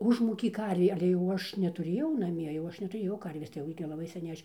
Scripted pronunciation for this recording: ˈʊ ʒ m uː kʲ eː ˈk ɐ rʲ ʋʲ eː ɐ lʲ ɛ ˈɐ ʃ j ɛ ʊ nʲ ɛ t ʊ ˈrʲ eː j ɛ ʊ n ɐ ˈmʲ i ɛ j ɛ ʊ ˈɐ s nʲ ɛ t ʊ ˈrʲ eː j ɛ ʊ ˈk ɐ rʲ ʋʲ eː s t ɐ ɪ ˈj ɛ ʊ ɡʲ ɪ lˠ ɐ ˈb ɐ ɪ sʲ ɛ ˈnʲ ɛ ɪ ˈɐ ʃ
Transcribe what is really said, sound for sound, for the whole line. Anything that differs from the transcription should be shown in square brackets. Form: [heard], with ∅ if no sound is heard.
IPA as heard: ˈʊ ʒ m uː kʲ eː ˈk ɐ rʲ ʋʲ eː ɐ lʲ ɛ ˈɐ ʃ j ɛ ʊ nʲ ɛ t ʊ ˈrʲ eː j ɛ ʊ n ɐ ˈmʲ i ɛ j ɛ ʊ ˈɐ [ʃ] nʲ ɛ t ʊ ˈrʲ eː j ɛ ʊ ˈk ɐ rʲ ʋʲ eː s t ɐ ɪ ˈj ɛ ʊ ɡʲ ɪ lˠ ɐ ˈb ɐ ɪ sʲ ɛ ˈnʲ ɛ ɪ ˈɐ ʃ